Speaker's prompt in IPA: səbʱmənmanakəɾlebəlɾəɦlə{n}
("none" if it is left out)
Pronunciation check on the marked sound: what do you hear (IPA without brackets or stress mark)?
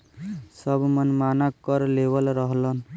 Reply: n